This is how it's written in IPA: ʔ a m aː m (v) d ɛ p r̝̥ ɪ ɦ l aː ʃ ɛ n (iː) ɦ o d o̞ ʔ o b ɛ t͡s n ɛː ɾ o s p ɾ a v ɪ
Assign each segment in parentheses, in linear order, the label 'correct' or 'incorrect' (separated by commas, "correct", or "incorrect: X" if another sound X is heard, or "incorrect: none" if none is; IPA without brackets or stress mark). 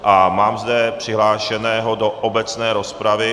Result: incorrect: z, incorrect: ɛː